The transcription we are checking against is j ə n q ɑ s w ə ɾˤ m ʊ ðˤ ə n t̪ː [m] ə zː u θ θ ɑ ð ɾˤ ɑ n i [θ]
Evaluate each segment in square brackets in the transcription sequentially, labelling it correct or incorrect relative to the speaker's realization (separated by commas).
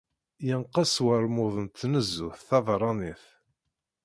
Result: incorrect, correct